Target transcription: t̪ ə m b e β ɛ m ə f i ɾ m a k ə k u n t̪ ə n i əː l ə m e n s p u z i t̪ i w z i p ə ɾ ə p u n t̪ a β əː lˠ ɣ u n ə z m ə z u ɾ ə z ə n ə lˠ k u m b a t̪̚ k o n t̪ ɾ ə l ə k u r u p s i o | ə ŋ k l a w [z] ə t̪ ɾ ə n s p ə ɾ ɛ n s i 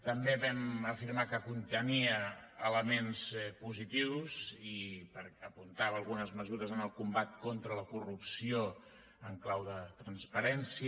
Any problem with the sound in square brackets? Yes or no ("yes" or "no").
yes